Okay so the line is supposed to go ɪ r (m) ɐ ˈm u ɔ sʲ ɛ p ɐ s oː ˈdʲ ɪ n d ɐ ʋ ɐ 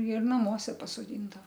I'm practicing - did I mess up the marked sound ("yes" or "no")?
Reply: yes